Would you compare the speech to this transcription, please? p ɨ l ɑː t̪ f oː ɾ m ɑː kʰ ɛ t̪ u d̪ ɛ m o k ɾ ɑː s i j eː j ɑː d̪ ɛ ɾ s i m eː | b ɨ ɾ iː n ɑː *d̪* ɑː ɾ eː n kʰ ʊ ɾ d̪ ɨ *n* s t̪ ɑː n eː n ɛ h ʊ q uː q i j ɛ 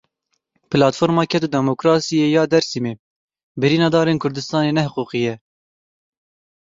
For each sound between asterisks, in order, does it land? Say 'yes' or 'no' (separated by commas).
yes, no